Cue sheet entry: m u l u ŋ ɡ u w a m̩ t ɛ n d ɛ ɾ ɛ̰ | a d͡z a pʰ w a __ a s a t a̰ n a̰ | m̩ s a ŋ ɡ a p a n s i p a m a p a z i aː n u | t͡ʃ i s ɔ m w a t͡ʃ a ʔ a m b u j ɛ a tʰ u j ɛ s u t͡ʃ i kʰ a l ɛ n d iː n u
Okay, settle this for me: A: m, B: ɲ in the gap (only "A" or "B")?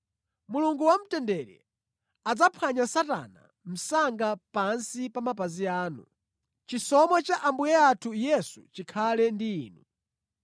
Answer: B